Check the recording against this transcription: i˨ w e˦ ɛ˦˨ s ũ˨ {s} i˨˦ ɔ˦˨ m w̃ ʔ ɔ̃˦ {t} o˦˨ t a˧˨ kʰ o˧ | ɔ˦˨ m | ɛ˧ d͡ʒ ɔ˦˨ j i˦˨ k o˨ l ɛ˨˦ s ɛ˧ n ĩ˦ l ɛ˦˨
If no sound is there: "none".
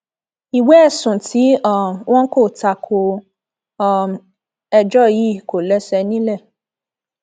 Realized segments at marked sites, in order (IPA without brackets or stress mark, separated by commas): t, k